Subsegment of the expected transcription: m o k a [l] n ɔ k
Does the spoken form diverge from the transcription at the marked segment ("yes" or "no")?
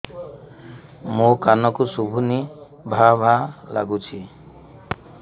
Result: yes